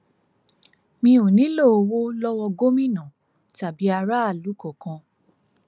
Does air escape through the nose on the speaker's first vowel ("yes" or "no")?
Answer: yes